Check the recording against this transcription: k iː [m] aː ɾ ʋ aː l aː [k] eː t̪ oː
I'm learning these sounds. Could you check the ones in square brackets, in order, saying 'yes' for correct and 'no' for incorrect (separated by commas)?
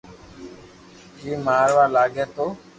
yes, no